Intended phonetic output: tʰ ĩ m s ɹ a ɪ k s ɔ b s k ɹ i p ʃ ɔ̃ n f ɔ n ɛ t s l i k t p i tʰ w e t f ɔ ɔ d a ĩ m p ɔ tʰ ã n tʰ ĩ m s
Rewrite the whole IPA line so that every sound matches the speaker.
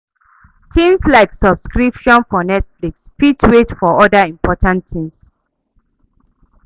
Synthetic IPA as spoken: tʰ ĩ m s l a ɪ k s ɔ b s k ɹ i p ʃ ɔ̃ n f ɔ n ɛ t f l i k s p i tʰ w e t f ɔ ɔ d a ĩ m p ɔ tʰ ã n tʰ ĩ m s